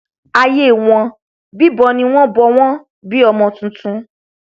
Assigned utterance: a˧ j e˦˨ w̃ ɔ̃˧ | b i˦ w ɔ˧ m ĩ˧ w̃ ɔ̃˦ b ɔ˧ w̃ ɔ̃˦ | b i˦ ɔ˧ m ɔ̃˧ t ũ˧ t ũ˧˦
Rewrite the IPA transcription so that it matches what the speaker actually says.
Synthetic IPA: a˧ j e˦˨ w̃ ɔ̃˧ | b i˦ b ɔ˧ n ĩ˧ w̃ ɔ̃˦ b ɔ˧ w̃ ɔ̃˦ | b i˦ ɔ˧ m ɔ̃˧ t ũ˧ t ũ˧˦